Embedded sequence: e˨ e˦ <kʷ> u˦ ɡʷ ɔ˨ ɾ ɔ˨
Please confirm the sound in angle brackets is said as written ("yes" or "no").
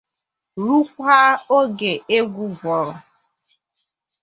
no